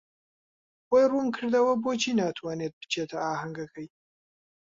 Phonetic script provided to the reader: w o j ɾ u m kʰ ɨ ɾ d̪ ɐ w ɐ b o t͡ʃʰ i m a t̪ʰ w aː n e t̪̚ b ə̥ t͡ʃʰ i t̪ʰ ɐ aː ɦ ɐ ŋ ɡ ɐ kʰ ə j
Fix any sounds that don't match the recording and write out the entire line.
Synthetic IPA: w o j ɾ u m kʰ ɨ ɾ d̪ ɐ w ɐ b o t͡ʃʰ i n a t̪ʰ w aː n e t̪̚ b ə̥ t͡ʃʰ e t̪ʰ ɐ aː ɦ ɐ ŋ ɡ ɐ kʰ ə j